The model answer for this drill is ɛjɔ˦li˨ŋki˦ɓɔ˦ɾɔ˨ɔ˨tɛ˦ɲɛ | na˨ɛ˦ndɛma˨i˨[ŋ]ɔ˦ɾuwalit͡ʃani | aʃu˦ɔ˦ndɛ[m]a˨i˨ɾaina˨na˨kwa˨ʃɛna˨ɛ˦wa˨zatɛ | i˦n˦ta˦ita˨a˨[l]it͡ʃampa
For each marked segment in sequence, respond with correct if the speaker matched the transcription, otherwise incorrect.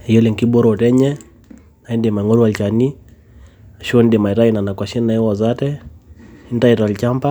correct, correct, correct

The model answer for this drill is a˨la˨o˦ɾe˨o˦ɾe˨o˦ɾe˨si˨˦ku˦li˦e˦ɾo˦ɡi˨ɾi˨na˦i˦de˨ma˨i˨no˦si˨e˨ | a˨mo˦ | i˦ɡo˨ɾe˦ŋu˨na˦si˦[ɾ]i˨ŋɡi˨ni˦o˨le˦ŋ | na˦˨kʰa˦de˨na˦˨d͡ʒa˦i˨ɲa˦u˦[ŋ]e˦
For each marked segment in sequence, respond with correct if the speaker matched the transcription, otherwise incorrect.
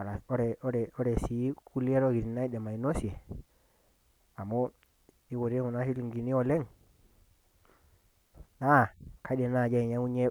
incorrect, incorrect

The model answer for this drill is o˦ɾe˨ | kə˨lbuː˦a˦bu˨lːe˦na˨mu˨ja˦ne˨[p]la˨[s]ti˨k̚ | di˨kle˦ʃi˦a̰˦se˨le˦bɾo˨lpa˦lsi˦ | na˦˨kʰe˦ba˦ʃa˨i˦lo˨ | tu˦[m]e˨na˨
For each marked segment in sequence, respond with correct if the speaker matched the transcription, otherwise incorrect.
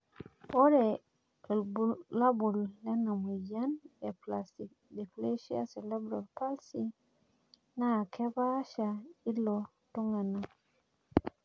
correct, correct, incorrect

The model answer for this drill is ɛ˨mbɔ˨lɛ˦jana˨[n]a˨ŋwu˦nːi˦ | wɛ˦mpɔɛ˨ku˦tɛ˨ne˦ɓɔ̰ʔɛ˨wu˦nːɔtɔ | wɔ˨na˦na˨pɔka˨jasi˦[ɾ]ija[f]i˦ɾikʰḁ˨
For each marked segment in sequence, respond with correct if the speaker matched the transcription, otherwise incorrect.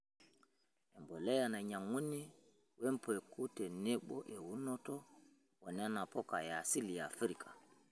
incorrect, incorrect, correct

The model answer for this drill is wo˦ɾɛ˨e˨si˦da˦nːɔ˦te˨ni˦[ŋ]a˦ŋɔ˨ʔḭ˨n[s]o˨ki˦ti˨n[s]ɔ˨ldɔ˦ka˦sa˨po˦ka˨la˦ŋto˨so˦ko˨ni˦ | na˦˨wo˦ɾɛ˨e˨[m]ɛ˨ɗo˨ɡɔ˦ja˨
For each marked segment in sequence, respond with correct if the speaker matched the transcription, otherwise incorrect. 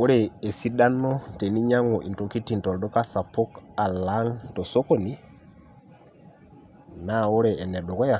incorrect, incorrect, incorrect, incorrect

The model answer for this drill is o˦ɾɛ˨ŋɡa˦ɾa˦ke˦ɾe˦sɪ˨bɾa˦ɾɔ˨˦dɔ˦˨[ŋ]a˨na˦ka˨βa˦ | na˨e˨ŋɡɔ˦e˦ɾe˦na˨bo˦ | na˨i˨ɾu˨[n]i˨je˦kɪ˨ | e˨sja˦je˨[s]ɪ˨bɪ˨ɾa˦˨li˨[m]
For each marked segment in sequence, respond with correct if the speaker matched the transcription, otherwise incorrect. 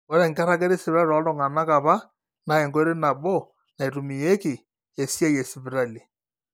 correct, incorrect, correct, incorrect

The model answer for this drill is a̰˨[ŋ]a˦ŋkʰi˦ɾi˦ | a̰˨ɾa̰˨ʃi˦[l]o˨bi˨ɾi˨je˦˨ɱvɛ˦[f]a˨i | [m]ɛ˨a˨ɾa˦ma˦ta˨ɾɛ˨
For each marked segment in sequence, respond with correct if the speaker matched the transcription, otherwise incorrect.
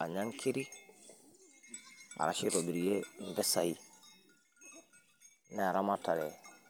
incorrect, incorrect, incorrect, incorrect

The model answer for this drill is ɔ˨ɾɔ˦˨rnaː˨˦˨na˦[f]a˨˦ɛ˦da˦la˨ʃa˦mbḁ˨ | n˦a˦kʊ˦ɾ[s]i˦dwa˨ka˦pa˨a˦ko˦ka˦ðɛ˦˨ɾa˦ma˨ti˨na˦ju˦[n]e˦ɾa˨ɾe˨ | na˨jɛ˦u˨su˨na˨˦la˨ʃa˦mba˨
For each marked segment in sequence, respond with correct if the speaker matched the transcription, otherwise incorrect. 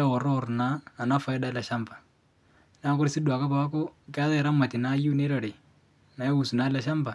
correct, correct, correct

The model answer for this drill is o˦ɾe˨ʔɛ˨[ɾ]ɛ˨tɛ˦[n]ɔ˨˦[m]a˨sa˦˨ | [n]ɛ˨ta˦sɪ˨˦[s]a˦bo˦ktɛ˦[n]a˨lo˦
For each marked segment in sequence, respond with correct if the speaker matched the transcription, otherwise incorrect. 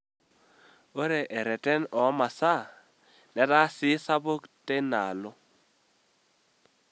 correct, correct, correct, correct, correct, correct

